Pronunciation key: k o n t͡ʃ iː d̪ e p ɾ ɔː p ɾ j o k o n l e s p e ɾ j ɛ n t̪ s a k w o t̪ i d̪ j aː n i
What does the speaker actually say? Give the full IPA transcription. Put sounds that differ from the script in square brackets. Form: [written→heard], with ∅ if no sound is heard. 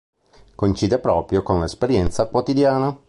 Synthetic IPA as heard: k o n t͡ʃ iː d̪ e p ɾ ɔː p ɾ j o k o n l e s p e ɾ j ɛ n t̪ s a k w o t̪ i d̪ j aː n [i→a]